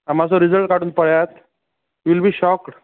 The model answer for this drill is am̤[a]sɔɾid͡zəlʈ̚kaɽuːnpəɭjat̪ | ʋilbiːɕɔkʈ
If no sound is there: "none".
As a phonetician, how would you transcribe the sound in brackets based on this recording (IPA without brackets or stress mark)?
a